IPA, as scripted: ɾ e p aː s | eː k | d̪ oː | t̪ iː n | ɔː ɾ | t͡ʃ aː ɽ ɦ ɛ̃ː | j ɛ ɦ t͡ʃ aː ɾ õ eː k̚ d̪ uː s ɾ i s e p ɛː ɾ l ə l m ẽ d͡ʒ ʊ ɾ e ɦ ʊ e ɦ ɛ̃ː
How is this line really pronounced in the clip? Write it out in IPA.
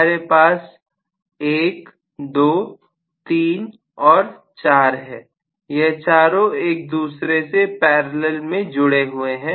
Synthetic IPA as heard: ɾ e p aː s | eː k | d̪ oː | t̪ iː n | ɔː ɾ | t͡ʃ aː ɾ ɦ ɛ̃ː | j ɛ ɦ t͡ʃ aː ɾ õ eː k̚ d̪ uː s ɾ e s e p ɛː ɾ l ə l m ẽ d͡ʒ ʊ ɽ e ɦ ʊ e ɦ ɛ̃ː